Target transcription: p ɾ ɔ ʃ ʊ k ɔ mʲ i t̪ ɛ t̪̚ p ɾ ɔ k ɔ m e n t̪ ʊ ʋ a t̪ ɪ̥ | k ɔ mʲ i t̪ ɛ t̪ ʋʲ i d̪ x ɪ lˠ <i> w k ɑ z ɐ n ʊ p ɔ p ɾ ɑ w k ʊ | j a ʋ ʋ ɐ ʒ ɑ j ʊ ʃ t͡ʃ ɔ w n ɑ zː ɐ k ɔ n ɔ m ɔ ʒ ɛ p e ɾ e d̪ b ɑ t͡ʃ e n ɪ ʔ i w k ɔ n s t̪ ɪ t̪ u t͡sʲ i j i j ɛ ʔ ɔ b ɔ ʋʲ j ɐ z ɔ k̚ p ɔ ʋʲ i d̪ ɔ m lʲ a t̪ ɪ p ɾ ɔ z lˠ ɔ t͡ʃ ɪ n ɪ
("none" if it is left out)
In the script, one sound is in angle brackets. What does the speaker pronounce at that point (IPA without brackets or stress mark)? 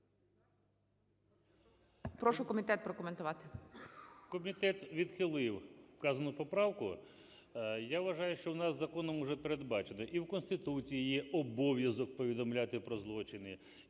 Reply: ɪ